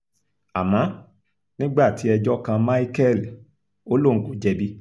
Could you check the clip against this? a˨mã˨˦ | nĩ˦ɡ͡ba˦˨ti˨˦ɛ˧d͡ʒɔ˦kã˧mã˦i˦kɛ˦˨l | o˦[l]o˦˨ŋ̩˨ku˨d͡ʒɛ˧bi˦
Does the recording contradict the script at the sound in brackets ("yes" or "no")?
no